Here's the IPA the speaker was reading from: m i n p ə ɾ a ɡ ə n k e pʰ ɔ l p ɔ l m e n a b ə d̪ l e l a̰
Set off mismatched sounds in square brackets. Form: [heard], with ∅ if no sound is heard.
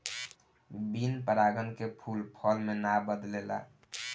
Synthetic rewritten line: [b] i n p ə ɾ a ɡ ə n k e pʰ [u] l [pʰ] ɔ l m e n a b ə d̪ l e l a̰